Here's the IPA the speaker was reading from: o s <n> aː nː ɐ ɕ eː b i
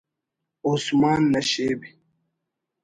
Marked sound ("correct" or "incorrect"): incorrect